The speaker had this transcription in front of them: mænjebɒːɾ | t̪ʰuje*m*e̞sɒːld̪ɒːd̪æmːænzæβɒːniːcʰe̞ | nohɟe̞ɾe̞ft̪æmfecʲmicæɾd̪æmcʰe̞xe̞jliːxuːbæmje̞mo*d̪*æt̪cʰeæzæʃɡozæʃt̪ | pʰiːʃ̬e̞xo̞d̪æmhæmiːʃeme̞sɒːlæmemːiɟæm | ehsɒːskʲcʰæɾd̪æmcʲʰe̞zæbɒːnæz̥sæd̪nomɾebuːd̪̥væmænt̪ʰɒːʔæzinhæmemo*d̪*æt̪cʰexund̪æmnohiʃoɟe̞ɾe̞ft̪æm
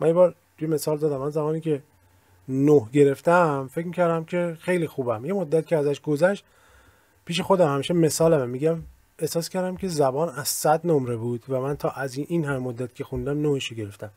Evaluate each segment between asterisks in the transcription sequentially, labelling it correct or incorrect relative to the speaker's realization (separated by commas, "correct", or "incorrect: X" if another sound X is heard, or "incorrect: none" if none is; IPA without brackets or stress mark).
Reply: correct, incorrect: d̪ː, incorrect: d̪ː